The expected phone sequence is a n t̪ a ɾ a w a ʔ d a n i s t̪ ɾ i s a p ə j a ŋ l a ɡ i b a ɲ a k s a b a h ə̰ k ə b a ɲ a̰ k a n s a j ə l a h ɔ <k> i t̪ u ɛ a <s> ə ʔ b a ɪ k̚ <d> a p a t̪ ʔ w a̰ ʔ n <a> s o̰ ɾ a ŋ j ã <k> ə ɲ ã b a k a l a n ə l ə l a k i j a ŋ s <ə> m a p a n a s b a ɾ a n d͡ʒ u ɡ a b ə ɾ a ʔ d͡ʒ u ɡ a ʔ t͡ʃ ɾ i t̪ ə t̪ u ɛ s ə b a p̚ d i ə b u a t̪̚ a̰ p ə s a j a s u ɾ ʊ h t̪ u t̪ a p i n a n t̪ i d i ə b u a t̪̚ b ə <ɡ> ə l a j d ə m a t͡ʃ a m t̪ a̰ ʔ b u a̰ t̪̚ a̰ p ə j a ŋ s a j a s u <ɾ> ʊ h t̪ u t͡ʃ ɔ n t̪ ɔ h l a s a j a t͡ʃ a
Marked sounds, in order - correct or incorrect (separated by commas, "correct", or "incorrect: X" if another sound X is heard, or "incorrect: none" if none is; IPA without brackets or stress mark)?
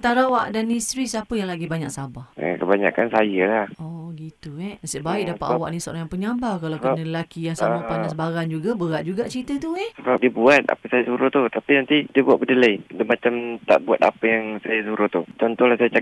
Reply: incorrect: ɡ, correct, correct, incorrect: i, incorrect: p, incorrect: a, incorrect: d, correct